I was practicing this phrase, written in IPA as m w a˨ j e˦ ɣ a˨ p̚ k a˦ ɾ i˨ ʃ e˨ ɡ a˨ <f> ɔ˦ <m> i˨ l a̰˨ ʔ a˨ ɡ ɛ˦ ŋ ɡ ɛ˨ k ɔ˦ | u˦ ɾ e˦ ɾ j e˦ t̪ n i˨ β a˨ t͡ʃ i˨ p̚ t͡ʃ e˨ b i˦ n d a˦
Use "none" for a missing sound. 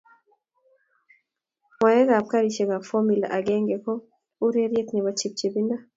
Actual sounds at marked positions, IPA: f, m

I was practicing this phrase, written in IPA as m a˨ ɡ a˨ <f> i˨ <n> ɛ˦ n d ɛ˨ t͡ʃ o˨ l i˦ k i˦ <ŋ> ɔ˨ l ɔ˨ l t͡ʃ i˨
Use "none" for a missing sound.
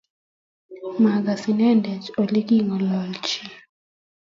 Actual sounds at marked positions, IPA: s, n, ŋ

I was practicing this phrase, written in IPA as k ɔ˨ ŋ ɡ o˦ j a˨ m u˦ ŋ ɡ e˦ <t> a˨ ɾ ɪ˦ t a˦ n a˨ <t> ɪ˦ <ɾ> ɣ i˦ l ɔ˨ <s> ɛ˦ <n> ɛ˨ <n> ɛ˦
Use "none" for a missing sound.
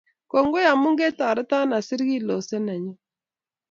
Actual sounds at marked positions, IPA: t, s, ɾ, s, n, ɲ

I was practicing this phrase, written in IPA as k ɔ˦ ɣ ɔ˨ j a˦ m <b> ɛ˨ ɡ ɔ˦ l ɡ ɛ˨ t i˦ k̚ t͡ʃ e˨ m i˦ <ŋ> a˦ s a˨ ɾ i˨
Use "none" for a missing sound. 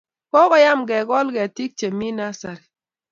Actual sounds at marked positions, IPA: ɡ, n

